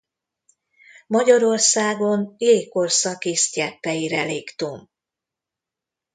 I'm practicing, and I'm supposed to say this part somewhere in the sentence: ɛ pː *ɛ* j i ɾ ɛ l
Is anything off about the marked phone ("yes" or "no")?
no